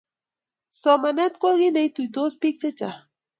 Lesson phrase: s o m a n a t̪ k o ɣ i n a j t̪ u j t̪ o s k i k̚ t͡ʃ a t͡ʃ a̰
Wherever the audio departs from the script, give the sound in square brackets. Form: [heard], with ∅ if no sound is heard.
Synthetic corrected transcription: s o m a n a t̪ k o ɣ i n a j t̪ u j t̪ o s [p] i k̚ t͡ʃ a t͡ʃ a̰